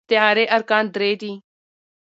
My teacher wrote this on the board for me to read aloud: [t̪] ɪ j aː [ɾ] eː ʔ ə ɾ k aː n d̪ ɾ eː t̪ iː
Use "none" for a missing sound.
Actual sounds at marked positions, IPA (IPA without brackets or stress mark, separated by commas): t̪, ɾ